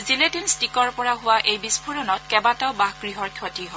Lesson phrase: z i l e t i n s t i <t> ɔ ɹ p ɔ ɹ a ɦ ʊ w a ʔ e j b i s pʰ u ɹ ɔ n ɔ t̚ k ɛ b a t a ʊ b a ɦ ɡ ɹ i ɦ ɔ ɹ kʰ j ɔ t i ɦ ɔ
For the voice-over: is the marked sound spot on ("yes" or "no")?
no